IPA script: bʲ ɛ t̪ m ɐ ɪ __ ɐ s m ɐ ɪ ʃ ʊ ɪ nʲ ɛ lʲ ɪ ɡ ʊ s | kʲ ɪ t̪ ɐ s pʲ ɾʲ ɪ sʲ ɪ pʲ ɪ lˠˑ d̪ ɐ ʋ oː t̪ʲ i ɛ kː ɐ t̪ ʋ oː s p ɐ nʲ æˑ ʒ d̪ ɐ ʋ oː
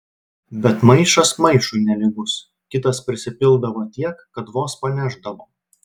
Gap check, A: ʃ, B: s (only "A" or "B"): A